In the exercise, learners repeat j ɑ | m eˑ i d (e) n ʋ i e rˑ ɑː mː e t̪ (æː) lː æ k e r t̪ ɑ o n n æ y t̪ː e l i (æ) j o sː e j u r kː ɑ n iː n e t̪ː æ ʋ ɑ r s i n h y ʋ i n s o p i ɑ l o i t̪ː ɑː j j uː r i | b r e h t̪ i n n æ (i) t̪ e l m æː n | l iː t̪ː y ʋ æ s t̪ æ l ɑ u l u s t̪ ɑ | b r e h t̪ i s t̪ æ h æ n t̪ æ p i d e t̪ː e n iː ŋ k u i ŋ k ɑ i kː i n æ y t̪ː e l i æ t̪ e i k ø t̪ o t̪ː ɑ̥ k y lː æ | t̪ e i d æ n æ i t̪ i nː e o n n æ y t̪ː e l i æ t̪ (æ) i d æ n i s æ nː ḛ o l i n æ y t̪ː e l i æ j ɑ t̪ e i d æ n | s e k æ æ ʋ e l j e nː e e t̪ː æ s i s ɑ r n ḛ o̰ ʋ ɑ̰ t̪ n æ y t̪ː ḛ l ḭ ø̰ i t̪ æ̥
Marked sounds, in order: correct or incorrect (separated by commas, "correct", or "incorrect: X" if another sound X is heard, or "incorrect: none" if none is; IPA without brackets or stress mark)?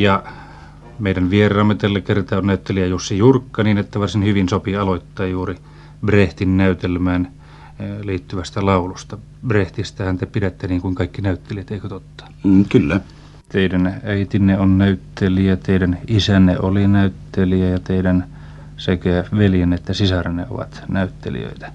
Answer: incorrect: æ, incorrect: æ, correct, incorrect: y, incorrect: e